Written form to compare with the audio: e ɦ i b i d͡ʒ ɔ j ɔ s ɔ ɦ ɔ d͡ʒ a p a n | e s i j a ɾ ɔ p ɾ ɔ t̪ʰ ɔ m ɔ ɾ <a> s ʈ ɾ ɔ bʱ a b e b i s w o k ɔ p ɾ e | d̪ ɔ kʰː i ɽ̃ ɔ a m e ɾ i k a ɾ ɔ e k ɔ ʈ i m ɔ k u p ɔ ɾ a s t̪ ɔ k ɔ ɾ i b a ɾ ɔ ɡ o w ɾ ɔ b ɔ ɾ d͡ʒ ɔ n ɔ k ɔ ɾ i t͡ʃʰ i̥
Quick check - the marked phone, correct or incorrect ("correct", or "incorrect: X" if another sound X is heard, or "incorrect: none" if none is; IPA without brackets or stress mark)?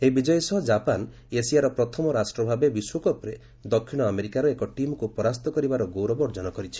correct